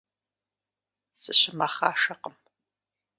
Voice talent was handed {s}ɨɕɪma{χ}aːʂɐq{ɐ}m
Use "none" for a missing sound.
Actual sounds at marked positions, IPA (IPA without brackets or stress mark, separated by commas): s, χ, ə